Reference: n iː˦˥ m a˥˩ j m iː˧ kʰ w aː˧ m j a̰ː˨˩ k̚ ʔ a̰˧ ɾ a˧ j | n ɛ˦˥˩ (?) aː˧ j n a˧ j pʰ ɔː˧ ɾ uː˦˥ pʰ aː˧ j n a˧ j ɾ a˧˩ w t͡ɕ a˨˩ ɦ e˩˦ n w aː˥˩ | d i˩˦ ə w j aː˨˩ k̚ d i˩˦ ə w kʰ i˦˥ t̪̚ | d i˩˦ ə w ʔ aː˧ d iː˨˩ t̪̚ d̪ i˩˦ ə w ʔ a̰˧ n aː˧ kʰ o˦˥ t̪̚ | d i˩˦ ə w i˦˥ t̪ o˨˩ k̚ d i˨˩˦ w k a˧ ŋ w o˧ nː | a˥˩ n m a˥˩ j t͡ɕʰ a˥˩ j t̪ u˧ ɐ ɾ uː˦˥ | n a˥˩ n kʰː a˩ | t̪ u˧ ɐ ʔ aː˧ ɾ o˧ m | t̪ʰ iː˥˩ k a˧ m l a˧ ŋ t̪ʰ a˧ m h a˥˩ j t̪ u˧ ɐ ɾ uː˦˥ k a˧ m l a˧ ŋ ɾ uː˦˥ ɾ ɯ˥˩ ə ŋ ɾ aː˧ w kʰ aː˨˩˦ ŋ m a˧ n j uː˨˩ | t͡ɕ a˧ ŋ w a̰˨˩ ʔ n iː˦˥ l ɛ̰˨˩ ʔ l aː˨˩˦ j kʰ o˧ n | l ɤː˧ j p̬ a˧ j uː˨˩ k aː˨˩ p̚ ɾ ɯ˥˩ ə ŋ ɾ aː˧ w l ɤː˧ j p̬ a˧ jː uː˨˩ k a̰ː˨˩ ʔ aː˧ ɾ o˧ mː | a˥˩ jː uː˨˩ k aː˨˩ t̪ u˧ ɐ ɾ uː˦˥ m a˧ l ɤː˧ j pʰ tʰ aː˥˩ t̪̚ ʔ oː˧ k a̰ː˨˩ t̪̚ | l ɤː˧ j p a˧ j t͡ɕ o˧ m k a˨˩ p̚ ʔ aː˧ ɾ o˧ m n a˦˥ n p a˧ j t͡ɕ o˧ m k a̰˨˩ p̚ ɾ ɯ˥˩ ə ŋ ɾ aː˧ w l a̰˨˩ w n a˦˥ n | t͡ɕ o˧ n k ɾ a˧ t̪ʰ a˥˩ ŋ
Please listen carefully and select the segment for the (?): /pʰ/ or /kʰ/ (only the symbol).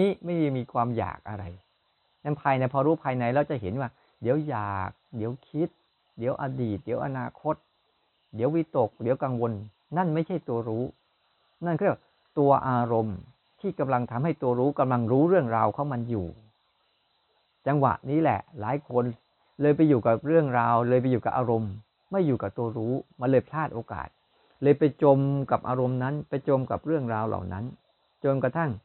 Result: pʰ